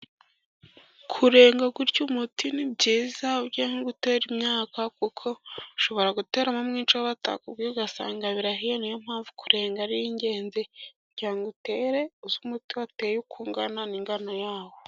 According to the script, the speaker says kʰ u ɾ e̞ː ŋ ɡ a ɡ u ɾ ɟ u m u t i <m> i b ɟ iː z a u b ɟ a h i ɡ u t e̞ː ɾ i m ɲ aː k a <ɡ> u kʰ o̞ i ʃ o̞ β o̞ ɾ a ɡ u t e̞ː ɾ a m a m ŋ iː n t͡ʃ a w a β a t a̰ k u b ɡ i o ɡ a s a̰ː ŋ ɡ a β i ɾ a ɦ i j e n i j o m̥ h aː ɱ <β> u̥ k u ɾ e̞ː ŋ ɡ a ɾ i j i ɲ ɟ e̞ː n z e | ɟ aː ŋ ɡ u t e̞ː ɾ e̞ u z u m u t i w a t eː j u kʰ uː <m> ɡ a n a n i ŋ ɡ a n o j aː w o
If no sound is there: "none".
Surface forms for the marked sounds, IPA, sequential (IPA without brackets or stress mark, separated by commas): n, k, v, ŋ